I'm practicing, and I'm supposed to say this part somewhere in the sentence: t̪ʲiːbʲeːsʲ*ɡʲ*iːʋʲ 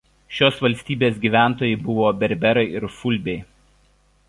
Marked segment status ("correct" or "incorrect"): correct